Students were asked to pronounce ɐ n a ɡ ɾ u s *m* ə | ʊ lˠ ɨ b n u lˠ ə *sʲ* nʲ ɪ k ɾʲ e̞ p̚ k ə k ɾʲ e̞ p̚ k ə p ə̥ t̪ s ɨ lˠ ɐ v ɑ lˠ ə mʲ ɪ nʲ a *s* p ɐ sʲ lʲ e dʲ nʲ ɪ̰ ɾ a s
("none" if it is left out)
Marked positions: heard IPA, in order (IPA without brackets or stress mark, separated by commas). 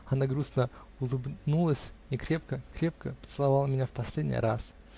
n, sʲ, f